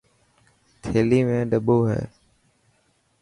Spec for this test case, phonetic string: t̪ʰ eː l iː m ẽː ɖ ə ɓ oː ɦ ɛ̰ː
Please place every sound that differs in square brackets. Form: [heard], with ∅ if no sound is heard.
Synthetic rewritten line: t̪ʰ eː l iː m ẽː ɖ ə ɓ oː ɦ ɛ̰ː